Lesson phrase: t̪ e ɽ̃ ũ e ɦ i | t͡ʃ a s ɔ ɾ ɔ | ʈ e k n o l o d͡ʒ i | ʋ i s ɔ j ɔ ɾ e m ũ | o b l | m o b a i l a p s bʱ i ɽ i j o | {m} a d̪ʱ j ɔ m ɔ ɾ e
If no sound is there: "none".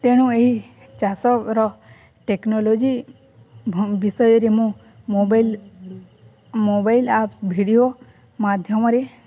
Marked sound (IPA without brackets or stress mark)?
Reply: m